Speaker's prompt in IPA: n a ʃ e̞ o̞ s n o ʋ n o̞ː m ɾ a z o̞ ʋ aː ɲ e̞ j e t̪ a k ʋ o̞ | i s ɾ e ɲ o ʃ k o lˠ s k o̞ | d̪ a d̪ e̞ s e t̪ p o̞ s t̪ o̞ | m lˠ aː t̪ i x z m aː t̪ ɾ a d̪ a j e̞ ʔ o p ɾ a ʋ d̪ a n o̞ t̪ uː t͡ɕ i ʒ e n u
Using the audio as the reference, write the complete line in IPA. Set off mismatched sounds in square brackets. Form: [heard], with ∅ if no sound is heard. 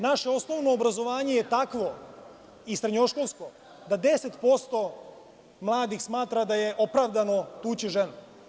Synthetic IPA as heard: n a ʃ e̞ o̞ s n o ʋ n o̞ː [b] ɾ a z o̞ ʋ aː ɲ e̞ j e t̪ a k ʋ o̞ | i s ɾ e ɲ o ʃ k o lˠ s k o̞ | d̪ a d̪ e̞ s e t̪ p o̞ s t̪ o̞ | m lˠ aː [d̪] i x [s] m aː t̪ ɾ a d̪ a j e̞ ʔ o p ɾ a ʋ d̪ a n o̞ t̪ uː t͡ɕ i ʒ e n u

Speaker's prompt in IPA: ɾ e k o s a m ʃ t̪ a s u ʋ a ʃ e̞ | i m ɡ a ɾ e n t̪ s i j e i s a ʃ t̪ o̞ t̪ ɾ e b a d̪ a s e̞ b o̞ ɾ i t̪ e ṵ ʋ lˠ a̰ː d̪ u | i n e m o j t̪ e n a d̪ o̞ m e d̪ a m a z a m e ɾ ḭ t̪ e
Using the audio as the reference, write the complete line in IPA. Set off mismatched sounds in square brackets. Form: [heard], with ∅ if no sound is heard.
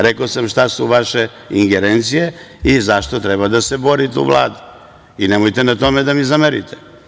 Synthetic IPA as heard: ɾ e k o s a m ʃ t̪ a s u ʋ a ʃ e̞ | i [ŋ] ɡ [e] ɾ e n t̪ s i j e i [z] a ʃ t̪ o̞ t̪ ɾ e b a d̪ a s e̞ b o̞ ɾ i t̪ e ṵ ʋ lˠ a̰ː d̪ u | i n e m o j t̪ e n a [t̪] o̞ m e d̪ a m [i] z a m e ɾ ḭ t̪ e

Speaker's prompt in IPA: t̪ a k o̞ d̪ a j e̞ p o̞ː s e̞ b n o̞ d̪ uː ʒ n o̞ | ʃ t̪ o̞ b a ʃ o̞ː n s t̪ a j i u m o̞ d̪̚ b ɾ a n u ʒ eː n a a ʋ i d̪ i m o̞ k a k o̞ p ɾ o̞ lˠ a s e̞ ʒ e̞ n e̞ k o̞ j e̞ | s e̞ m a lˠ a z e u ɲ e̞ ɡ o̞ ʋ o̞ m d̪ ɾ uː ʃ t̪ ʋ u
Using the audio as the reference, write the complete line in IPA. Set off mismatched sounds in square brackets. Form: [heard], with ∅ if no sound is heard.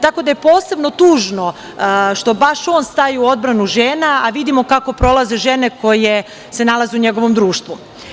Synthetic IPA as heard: t̪ a k o̞ d̪ a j e̞ p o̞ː s e̞ b n o̞ [t̪] uː ʒ n o̞ | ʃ t̪ o̞ b a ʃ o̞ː n s t̪ a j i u [∅] o̞ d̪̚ b ɾ a n u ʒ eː n a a ʋ i d̪ i m o̞ k a k o̞ p ɾ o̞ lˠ a [z] e̞ ʒ e̞ n e̞ k o̞ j e̞ | s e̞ [n] a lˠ a z e u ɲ e̞ ɡ o̞ ʋ o̞ m d̪ ɾ uː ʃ t̪ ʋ u

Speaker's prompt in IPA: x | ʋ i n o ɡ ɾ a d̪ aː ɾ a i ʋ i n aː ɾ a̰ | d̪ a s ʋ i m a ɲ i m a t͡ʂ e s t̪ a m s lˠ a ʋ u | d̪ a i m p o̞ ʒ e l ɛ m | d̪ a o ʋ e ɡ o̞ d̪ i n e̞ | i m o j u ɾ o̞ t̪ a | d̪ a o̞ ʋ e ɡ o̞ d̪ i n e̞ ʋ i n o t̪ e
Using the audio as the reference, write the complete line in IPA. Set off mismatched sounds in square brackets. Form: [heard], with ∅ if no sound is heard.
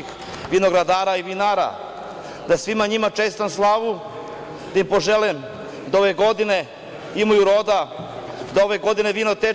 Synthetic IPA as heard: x | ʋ i n o ɡ ɾ a d̪ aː ɾ a i ʋ i n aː ɾ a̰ | d̪ a s ʋ i m a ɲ i m a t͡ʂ e s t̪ a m s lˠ a ʋ u | d̪ a i m p o̞ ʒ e l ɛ m | d̪ a o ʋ e ɡ o̞ d̪ i n e̞ | i m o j u ɾ o̞ [d̪] a | d̪ a o̞ ʋ e ɡ o̞ d̪ i n e̞ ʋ i n o t̪ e

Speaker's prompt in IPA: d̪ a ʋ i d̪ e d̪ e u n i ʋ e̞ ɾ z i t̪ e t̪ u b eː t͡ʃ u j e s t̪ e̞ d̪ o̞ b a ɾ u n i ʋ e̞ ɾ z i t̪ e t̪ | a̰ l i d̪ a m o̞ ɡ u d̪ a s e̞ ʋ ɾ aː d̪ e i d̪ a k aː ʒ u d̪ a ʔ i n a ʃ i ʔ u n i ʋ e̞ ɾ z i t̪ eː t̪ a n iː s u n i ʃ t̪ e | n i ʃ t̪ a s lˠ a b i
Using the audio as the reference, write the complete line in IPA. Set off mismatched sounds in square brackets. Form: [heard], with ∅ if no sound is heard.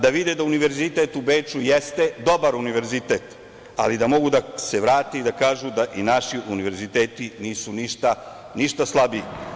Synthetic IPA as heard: d̪ a ʋ i d̪ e d̪ [a] u n i ʋ e̞ ɾ z i t̪ e t̪ u b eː t͡ʃ u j e s t̪ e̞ d̪ o̞ b a ɾ u n i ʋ e̞ ɾ z i t̪ e t̪ | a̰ l i d̪ a m o̞ ɡ u d̪ a s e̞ ʋ ɾ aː [t̪] e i d̪ a k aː ʒ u d̪ a ʔ i n a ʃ i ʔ u n i ʋ e̞ ɾ z i t̪ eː t̪ [i] n iː s u n i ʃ t̪ [a] | n i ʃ t̪ a s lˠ a b i

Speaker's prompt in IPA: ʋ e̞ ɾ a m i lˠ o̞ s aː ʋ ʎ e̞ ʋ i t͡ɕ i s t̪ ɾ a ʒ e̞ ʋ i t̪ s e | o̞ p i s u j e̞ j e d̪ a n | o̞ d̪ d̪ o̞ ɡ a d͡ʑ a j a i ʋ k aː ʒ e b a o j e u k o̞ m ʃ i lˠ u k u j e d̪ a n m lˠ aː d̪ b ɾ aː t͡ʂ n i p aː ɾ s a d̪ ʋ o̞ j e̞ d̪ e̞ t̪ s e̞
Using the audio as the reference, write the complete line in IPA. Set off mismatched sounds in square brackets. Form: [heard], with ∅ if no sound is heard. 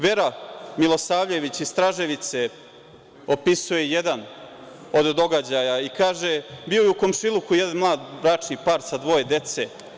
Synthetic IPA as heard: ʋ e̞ ɾ a m i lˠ o̞ s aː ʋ ʎ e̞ ʋ i t͡ɕ i s t̪ ɾ a ʒ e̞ ʋ i t̪ s e | o̞ p i s u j e̞ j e d̪ a n | o̞ d̪ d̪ o̞ ɡ a d͡ʑ a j a i [∅] k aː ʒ e b [i] o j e u k o̞ m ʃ i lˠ u k u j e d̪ a n m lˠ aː d̪ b ɾ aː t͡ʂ n i p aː ɾ s a d̪ ʋ o̞ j e̞ d̪ e̞ t̪ s e̞

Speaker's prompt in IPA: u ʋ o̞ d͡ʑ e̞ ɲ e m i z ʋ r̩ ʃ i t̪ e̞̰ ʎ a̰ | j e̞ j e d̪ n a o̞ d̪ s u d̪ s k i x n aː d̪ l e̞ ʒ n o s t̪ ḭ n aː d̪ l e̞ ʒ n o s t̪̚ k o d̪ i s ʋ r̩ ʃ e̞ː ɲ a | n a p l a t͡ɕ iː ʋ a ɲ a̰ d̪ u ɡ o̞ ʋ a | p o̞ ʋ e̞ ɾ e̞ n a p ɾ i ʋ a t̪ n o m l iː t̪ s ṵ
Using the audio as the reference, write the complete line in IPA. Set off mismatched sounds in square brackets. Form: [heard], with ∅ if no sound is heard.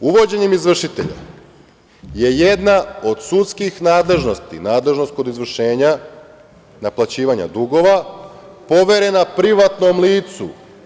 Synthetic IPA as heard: u ʋ o̞ d͡ʑ e̞ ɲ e m i z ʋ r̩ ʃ i t̪ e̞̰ ʎ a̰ | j e̞ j e d̪ n a o̞ d̪ s u [t̪] s k i x n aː d̪ l e̞ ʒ n o s t̪ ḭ n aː d̪ l e̞ ʒ n o s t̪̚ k o d̪ i [z] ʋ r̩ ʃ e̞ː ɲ a | n a p l a t͡ɕ iː ʋ a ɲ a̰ d̪ u ɡ o̞ ʋ a | p o̞ ʋ e̞ ɾ e̞ n a p ɾ i ʋ a t̪ n o m l iː t̪ s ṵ

